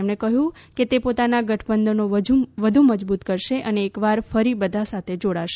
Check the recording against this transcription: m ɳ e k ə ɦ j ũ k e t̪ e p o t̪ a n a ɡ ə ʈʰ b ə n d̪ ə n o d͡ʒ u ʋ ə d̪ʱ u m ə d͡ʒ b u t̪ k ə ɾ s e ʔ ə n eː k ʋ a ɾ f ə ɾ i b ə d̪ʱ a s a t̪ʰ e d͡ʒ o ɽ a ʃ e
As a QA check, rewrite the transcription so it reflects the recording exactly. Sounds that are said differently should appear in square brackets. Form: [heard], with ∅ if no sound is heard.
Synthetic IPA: m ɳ e k ə ɦ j ũ k e t̪ e p o t̪ a n a ɡ ə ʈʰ b ə n d̪ ə n o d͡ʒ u ʋ ə d̪ʱ u m ə d͡ʒ b u t̪ k ə ɾ [ʃ] e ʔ ə n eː k ʋ a ɾ f ə ɾ i b ə d̪ʱ a s a t̪ʰ e d͡ʒ o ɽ a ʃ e